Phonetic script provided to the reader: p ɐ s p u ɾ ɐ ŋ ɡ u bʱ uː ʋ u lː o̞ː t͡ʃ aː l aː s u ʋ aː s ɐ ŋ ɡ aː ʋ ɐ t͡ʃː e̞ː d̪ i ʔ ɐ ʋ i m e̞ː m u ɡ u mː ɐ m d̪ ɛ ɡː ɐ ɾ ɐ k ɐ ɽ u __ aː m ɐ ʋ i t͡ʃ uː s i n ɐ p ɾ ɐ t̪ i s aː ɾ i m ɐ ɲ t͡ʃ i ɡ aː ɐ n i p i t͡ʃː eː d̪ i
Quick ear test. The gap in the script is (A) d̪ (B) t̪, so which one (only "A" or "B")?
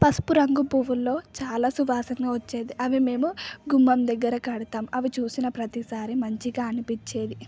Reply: B